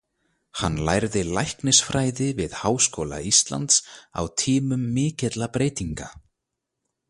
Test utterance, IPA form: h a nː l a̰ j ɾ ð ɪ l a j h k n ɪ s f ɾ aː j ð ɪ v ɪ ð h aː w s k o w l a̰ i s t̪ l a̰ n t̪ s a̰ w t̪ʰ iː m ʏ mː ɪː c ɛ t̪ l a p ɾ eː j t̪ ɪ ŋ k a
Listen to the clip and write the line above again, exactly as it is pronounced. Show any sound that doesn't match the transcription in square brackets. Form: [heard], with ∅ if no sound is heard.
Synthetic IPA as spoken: h a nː l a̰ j ɾ ð ɪ l a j h k n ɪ s f ɾ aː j ð ɪ v ɪ ð h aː w s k o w l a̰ i s t̪ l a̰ n t̪ s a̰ w t̪ʰ iː m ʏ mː ɪː c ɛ t̪ l a p ɾ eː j t̪ [i] ŋ k a